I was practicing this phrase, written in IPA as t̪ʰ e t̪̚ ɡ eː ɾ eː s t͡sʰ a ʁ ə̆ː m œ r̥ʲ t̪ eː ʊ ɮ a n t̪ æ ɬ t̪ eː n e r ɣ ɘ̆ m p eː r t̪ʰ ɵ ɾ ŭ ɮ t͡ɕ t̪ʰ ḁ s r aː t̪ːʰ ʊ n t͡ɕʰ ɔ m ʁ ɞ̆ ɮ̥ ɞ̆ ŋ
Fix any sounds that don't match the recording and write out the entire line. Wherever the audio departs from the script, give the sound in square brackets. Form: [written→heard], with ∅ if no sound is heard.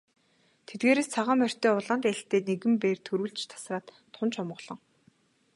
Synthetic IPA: t̪ʰ e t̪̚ ɡ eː ɾ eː s t͡sʰ a ʁ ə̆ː m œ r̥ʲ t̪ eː ʊ ɮ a n t̪ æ ɬ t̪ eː n e [r→∅] ɣ ɘ̆ m p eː r t̪ʰ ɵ ɾ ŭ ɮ t͡ɕ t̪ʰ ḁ s r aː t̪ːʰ ʊ n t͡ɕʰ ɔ m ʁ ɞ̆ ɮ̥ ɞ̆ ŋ